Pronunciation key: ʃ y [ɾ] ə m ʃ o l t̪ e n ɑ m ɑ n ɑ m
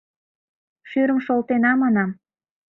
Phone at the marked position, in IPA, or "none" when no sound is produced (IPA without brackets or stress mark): ɾ